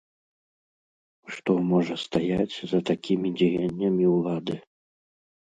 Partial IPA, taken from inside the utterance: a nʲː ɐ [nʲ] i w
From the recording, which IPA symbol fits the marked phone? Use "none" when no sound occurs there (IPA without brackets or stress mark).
mʲ